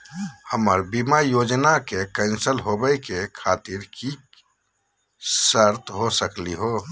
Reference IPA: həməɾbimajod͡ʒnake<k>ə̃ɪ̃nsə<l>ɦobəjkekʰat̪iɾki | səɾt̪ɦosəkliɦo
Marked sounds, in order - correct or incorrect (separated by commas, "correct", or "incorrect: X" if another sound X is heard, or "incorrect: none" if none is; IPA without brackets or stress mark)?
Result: correct, correct